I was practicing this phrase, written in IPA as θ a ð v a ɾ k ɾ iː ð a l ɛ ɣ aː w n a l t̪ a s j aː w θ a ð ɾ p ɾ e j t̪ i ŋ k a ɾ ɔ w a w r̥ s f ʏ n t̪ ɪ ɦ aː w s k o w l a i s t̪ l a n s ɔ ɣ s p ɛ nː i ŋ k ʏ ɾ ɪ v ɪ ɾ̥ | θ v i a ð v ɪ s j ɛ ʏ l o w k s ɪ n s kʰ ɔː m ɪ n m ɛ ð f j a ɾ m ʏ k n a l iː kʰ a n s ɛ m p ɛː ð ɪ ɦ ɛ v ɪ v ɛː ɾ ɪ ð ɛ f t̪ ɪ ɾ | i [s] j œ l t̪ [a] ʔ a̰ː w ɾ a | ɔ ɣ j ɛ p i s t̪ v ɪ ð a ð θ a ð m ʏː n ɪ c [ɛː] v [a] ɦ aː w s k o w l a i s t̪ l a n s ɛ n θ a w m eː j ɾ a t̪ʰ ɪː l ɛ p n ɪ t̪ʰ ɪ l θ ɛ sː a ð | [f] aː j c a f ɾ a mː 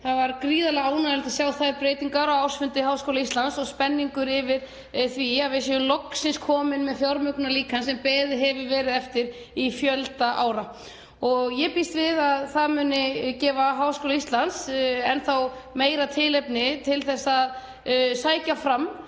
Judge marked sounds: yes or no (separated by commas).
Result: no, yes, yes, yes, no